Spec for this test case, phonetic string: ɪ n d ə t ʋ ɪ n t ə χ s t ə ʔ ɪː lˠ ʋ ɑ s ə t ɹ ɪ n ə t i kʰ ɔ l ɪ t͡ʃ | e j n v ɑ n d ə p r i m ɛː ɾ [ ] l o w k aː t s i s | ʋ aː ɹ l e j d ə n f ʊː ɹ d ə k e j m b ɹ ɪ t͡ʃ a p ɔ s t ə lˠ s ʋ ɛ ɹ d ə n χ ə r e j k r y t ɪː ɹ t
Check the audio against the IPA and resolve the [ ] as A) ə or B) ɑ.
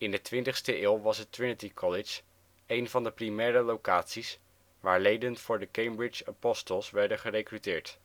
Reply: A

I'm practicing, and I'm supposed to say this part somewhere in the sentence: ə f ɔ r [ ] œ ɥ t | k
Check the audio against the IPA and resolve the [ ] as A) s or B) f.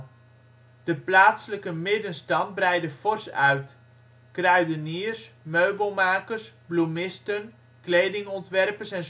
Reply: A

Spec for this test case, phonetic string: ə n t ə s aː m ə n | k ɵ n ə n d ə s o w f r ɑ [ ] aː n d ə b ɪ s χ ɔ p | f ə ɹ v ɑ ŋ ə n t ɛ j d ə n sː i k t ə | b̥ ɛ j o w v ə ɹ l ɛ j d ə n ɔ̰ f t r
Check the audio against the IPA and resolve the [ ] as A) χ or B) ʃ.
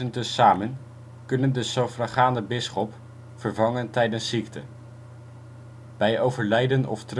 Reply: A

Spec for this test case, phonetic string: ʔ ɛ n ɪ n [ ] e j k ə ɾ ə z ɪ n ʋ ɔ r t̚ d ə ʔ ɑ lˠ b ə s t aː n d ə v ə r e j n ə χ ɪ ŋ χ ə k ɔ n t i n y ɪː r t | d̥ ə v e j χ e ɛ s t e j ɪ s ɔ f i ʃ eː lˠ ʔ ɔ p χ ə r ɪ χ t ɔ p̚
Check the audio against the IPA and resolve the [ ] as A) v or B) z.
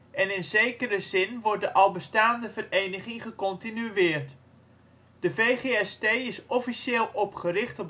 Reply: B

